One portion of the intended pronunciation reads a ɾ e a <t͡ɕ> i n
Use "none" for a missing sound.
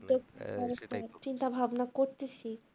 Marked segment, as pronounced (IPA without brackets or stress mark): t͡ɕ